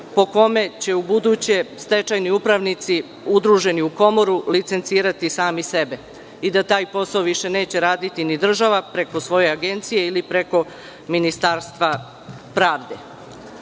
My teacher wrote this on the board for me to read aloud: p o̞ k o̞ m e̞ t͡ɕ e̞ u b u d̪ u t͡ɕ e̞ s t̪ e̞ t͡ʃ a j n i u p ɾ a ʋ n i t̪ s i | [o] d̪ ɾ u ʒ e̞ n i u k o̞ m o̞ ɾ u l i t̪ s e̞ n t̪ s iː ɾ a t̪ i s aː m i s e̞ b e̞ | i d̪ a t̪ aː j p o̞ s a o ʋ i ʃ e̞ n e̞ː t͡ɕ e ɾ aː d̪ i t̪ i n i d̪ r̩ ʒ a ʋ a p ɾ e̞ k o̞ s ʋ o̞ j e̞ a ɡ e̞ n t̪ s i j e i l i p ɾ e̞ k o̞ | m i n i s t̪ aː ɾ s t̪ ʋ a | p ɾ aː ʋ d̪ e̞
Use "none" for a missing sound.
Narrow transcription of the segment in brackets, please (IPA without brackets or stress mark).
u